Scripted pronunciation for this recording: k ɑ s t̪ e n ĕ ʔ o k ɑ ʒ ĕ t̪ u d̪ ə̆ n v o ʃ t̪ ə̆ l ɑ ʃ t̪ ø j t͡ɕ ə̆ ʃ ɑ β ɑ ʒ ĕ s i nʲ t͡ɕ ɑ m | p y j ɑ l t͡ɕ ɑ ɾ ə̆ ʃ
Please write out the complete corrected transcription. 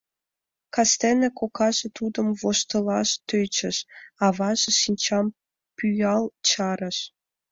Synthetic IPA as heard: k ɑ s t̪ e n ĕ k o k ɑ ʒ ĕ t̪ u d̪ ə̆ m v o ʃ t̪ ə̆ l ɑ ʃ t̪ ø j t͡ɕ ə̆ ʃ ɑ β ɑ ʒ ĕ ʃ i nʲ t͡ɕ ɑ m | p y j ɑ l t͡ɕ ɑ ɾ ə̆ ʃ